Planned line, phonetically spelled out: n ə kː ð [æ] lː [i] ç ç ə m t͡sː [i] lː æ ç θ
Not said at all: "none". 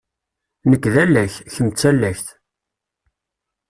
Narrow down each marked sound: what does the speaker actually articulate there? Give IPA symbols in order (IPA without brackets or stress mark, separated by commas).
æ, æ, æ